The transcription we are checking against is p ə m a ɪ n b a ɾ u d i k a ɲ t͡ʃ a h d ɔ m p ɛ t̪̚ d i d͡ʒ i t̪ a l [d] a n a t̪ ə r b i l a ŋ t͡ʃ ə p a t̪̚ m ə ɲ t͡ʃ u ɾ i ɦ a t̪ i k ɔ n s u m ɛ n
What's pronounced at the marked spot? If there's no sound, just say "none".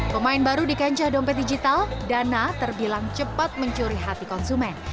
d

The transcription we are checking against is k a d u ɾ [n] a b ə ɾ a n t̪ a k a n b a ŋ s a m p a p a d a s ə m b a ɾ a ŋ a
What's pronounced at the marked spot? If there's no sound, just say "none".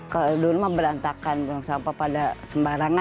m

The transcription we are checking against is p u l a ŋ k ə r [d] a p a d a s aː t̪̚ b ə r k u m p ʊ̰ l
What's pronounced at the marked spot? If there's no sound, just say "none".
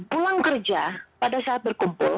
d͡ʒ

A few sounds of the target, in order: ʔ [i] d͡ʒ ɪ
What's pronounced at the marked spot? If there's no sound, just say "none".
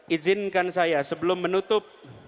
i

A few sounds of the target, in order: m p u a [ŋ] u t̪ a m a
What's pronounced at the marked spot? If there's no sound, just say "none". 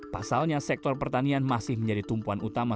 n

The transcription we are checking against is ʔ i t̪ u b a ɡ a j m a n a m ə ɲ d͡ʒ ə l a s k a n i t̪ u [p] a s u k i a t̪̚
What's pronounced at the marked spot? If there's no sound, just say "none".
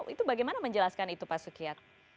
p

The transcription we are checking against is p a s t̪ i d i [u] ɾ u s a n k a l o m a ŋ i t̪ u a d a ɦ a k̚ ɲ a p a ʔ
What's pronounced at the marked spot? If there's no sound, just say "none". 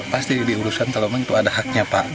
u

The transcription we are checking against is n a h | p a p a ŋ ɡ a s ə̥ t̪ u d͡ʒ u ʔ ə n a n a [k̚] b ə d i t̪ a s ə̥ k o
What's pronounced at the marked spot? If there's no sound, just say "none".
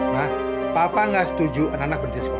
k̚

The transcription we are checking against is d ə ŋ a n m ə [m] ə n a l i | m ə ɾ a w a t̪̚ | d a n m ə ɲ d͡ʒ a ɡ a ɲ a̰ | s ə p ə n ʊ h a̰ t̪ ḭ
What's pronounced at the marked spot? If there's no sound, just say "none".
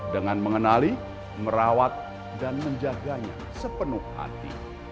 ŋ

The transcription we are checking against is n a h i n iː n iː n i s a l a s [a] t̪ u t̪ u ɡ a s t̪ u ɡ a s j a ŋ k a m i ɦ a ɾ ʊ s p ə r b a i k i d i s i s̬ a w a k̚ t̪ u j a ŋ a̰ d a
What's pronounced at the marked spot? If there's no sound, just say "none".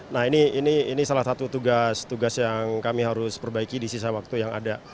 a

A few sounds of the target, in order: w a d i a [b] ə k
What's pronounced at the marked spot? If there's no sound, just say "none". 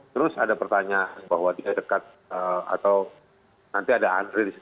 d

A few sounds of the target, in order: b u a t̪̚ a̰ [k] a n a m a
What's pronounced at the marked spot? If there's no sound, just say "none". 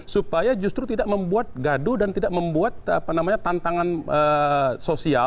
p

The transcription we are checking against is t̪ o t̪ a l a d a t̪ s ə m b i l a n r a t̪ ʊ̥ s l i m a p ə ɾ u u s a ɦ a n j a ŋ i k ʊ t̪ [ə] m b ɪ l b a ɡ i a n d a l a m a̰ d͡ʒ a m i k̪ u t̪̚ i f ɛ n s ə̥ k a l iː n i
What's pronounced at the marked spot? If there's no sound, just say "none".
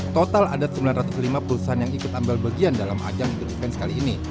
a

